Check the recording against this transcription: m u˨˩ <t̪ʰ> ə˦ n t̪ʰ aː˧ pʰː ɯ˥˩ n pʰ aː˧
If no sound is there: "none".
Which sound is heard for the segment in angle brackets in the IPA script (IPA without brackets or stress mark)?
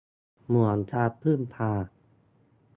none